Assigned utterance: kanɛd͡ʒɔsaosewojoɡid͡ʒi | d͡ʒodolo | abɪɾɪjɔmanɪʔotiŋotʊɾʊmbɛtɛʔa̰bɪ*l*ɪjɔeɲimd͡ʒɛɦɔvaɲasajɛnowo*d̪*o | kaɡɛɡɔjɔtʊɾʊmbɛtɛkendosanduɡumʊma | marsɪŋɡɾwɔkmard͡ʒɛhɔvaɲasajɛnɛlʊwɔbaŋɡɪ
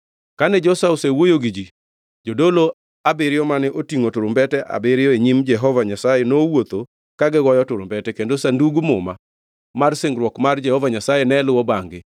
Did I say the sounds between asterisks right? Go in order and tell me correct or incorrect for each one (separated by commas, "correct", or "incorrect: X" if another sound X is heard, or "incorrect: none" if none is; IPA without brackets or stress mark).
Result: incorrect: ɾ, incorrect: t̪